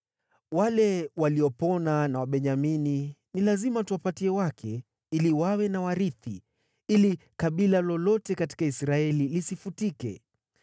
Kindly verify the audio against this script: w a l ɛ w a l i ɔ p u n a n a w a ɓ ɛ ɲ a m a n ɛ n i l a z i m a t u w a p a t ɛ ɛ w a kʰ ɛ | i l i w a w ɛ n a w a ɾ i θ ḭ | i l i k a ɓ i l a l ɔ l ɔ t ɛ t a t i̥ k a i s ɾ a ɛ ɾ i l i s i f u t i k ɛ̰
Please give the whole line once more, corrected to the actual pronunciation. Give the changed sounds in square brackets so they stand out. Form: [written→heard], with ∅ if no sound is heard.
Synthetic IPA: w a l ɛ w a l i ɔ p [u→ɔ] n a n a w a ɓ ɛ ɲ a m [a→i] n [ɛ→i] n i l a z i m a t u w a p a t [ɛ→i] ɛ w a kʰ ɛ | i l i w a w ɛ n a w a ɾ i θ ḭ | i l i k a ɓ i l a l ɔ l ɔ t ɛ [t→k] a t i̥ k a i s ɾ a ɛ [ɾ→l] i l i s i f u t i k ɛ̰